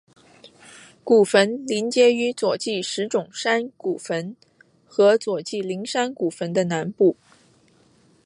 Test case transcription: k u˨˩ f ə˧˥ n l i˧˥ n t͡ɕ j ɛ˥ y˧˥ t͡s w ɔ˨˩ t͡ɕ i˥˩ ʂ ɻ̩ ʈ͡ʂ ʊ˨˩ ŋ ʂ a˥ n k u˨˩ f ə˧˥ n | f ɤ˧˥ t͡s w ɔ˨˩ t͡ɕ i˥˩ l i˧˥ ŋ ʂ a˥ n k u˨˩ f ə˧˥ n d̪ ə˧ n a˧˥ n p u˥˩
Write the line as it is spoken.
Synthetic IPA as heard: k u˨˩ f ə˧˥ n l i˧˥ n t͡ɕ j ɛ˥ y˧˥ t͡s w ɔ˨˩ t͡ɕ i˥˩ ʂ ɻ̩ ʈ͡ʂ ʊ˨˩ ŋ ʂ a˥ n k u˨˩ f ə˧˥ n | x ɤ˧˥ t͡s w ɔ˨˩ t͡ɕ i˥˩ l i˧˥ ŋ ʂ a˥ n k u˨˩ f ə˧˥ n d̪ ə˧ n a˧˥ n p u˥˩